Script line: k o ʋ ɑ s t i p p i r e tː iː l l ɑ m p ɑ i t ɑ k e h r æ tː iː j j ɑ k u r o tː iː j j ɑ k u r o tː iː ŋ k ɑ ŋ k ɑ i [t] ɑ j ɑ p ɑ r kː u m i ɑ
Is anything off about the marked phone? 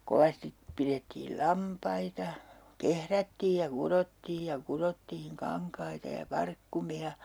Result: no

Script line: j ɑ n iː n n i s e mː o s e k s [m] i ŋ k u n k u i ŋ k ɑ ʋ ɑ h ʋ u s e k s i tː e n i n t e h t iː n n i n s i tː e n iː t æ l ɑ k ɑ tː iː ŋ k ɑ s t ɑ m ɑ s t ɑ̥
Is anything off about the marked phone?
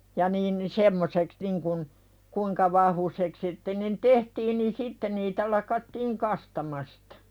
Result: yes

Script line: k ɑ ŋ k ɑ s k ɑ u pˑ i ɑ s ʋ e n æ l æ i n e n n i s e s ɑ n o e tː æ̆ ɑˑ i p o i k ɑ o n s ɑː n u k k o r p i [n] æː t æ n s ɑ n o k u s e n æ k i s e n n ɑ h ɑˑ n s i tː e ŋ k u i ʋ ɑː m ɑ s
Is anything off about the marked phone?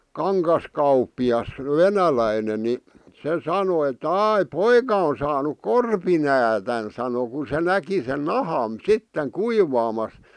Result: no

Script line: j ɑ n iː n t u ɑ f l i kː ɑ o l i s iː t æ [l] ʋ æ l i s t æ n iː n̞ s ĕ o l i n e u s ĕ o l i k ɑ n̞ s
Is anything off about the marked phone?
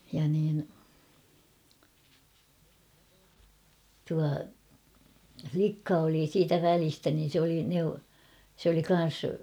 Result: yes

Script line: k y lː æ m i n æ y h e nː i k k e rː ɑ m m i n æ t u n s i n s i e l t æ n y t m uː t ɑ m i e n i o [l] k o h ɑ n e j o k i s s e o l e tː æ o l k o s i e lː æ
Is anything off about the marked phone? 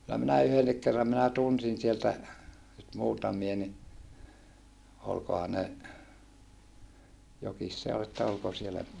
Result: no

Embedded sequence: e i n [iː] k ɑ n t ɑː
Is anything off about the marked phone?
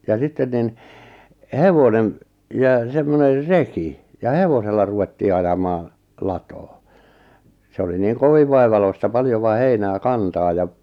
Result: yes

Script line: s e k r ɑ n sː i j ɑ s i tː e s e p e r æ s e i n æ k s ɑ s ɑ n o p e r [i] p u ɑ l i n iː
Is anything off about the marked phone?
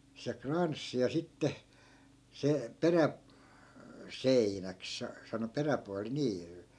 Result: yes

